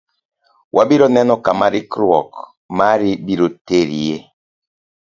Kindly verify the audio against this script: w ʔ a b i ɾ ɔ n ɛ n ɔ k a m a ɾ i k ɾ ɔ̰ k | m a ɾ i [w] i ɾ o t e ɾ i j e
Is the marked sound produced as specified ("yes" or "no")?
no